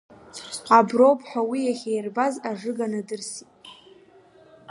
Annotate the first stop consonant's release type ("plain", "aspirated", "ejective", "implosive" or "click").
plain